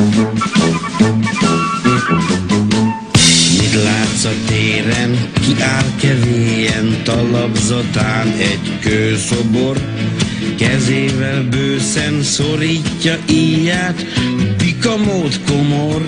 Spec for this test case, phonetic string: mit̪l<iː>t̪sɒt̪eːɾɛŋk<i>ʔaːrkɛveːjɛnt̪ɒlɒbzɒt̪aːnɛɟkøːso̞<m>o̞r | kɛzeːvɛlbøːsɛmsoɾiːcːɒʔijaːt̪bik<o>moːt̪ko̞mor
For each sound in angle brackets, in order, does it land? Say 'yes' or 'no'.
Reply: no, yes, no, no

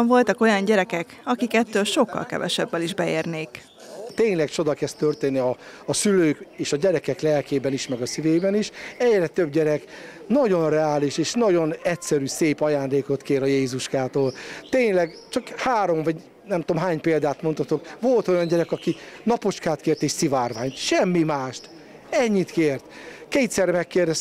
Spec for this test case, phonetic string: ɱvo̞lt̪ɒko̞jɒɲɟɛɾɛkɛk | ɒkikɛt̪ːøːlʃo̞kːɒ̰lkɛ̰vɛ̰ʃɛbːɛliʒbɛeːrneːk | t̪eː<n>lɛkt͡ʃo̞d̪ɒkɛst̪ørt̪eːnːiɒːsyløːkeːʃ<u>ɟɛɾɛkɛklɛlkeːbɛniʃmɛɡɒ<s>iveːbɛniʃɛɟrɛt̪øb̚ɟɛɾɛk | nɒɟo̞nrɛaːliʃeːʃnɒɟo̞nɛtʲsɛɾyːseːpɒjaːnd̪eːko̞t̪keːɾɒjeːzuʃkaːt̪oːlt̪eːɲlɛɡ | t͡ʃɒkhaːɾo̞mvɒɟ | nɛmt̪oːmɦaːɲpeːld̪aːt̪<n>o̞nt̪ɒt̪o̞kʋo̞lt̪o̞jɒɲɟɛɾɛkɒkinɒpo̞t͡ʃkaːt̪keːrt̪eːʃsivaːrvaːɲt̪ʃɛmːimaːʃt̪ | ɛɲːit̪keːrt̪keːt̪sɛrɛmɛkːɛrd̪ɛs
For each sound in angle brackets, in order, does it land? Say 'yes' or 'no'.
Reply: no, no, yes, no

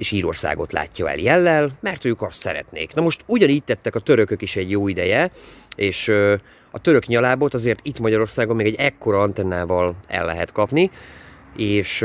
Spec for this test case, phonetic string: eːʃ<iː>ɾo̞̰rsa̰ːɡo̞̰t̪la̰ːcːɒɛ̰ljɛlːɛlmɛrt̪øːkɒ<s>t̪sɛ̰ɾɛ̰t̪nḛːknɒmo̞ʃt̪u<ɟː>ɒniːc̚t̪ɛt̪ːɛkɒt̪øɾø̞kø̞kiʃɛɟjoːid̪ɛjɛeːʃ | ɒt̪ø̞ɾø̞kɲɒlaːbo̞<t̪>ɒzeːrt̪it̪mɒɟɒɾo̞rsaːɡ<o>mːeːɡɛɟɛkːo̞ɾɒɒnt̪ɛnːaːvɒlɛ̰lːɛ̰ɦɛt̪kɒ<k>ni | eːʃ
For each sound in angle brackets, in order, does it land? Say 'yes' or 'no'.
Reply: yes, yes, no, yes, yes, no

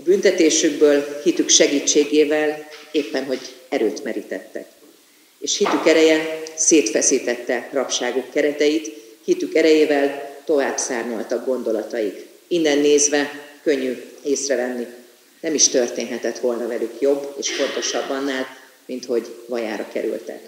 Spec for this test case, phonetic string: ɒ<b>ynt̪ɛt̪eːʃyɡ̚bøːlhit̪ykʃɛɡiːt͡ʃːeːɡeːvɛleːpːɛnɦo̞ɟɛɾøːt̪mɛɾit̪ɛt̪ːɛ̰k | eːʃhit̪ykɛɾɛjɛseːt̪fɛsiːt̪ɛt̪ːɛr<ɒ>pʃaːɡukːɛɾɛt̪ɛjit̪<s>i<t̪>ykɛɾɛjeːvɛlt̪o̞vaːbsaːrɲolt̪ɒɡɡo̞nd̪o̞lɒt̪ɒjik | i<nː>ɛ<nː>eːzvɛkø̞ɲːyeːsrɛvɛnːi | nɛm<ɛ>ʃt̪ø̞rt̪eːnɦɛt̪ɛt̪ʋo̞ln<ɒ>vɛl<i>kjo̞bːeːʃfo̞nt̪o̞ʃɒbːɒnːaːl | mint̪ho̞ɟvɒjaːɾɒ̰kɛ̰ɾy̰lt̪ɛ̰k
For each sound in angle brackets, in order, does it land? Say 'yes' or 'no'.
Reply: yes, yes, no, yes, yes, yes, no, yes, no

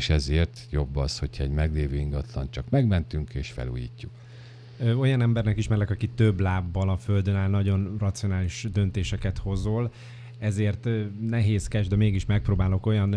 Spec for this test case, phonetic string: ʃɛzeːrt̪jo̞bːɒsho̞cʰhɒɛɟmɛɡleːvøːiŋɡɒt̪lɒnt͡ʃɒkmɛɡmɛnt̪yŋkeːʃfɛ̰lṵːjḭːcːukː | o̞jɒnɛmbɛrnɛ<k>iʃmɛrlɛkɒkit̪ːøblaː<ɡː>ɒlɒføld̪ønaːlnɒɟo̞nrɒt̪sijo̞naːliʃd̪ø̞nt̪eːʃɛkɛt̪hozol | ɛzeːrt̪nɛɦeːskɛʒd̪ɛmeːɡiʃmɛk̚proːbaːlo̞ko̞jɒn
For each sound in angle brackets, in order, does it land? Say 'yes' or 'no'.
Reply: yes, no

